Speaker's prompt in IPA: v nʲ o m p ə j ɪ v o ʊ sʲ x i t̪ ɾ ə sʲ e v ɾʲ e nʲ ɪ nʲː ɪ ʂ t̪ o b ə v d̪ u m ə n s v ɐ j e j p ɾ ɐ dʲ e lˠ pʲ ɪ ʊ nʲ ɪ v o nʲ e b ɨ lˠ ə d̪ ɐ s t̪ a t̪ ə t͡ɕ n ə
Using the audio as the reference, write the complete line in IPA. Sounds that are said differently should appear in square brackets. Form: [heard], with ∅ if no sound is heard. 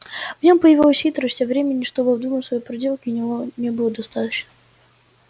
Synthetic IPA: v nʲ o m p ə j ɪ v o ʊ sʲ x i t̪ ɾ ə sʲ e v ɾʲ e [mʲ] ɪ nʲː ɪ ʂ t̪ o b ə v d̪ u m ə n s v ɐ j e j p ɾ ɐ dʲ e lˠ [kʲ] ɪ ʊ nʲ ɪ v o nʲ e b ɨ lˠ ə d̪ ɐ s t̪ a t̪ ə t͡ɕ n ə

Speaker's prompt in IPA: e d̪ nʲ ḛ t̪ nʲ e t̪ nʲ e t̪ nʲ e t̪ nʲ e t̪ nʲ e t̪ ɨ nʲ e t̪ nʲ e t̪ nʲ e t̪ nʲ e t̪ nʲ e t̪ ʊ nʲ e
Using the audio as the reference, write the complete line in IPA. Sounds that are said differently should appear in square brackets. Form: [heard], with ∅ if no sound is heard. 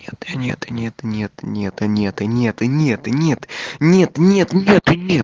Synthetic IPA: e [t̪] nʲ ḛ t̪ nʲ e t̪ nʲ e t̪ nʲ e t̪ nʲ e t̪ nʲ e t̪ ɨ nʲ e t̪ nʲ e t̪ nʲ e t̪ nʲ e t̪ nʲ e t̪ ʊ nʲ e

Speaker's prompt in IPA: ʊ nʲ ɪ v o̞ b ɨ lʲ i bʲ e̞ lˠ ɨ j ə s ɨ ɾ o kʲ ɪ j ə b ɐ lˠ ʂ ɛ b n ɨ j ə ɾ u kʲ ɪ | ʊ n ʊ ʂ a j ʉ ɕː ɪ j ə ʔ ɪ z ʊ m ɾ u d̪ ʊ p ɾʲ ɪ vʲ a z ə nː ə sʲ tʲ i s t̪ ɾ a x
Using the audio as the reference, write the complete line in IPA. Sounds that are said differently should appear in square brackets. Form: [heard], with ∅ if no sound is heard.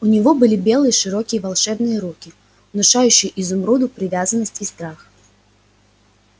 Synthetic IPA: ʊ nʲ ɪ v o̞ b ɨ lʲ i bʲ e̞ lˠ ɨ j ə [ʂ] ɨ ɾ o kʲ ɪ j ə [v] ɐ lˠ ʂ ɛ b n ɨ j ə ɾ u kʲ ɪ | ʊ n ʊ ʂ a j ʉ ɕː ɪ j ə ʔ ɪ z ʊ m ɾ u d̪ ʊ p ɾʲ ɪ vʲ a z ə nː ə sʲ tʲ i s t̪ ɾ a x

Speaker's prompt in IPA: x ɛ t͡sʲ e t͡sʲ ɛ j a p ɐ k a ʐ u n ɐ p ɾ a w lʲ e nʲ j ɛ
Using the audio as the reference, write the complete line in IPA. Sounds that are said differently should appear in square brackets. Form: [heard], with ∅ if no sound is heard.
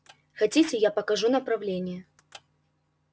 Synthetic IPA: x [a] t͡sʲ [i] t͡sʲ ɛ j a p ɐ k a ʐ u n ɐ p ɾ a w lʲ e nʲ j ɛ

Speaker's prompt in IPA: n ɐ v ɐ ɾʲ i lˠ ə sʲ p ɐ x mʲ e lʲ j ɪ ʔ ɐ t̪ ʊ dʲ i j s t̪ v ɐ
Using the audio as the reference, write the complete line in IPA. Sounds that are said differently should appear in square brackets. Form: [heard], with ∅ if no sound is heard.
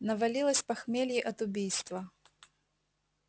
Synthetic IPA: n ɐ v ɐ [lʲ] i lˠ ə sʲ p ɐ x mʲ e lʲ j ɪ ʔ ɐ t̪ ʊ [bʲ] i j s t̪ v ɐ

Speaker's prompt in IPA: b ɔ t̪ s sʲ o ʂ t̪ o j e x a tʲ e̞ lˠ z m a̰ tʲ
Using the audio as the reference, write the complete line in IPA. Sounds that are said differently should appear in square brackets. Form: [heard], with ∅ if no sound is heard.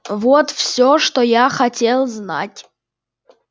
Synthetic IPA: [v] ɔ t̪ [f] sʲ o ʂ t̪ o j [a] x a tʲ e̞ lˠ z [n] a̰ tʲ

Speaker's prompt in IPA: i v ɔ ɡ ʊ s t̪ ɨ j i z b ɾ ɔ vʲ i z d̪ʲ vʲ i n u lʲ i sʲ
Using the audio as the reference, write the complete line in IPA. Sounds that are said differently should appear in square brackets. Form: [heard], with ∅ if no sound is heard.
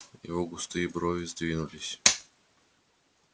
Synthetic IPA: i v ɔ ɡ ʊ s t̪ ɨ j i [∅] b ɾ ɔ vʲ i z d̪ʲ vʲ i n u lʲ i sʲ

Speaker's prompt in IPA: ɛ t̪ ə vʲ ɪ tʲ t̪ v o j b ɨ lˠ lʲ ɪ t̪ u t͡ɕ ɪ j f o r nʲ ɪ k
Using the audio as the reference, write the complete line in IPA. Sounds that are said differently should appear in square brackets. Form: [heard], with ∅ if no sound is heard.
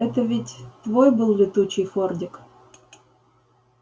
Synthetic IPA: ɛ t̪ ə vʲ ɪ tʲ t̪ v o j b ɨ lˠ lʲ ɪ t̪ u t͡ɕ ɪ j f o r [dʲ] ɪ k

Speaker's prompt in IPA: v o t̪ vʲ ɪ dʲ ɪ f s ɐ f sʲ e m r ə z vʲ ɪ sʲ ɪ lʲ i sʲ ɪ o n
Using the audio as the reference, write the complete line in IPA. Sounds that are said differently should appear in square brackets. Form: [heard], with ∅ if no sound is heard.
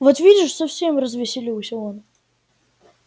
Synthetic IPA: v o t̪ vʲ [i] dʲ ɪ [ʂ] s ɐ f sʲ e m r ə z vʲ ɪ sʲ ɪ lʲ i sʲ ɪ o n

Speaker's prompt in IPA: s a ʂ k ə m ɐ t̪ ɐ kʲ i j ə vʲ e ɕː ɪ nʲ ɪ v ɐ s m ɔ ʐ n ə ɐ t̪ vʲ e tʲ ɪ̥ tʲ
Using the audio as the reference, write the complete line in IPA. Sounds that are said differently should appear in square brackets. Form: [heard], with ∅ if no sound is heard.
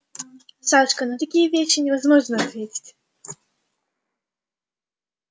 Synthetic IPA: s a ʂ k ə [n] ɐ t̪ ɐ kʲ i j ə vʲ e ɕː ɪ nʲ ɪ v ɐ [z] m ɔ ʐ n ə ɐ t̪ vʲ e tʲ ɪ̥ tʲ

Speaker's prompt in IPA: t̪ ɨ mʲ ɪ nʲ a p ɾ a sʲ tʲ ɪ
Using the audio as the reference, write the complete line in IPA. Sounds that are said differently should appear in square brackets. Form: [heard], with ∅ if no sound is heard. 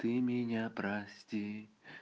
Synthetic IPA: t̪ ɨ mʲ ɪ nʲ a p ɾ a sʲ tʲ [i]

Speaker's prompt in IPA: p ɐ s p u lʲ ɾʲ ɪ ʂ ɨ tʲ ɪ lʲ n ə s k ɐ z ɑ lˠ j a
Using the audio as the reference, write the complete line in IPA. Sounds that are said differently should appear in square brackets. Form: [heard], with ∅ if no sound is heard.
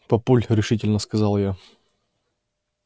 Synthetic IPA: p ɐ [∅] p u lʲ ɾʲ ɪ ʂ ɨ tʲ ɪ lʲ n ə s k ɐ z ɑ lˠ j a

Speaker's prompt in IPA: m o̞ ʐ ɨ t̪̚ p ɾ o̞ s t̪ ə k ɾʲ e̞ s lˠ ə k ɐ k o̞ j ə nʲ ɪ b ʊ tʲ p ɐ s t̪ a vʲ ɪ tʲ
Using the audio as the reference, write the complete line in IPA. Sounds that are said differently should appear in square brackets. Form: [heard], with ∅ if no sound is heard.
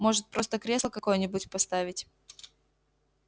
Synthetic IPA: m o̞ ʐ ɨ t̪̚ p ɾ o̞ s t̪ ə k ɾʲ e̞ s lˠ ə k ɐ k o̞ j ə nʲ ɪ b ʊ tʲ p ɐ s t̪ a vʲ ɪ tʲ

